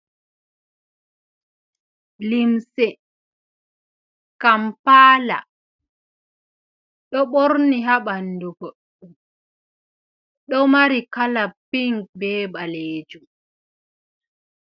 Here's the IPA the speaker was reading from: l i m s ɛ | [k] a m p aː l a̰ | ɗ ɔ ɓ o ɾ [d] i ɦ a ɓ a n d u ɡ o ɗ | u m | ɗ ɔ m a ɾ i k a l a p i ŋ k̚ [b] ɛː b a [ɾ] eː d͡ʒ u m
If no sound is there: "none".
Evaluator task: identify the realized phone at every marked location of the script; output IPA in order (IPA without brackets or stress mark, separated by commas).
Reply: k, n, b, l